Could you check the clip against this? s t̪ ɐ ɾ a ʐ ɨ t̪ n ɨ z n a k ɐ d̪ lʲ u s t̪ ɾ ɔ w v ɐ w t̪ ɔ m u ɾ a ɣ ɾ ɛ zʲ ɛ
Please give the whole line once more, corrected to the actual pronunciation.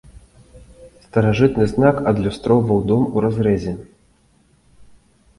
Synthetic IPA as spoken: s t̪ ɐ ɾ a ʐ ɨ t̪ n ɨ z n a k ɐ d̪ lʲ u s t̪ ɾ ɔ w v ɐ w d̪ ɔ m u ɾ a z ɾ ɛ zʲ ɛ